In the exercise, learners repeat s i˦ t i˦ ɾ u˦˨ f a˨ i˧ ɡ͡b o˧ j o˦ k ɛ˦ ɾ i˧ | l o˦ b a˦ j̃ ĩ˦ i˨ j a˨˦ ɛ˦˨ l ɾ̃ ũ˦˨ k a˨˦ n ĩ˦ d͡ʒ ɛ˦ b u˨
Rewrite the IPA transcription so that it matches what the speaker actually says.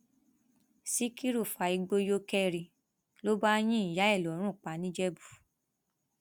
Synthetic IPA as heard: s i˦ k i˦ ɾ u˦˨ f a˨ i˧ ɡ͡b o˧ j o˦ k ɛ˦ ɾ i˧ | l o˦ b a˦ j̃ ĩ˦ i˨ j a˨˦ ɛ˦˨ l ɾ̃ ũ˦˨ k͡p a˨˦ n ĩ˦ d͡ʒ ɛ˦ b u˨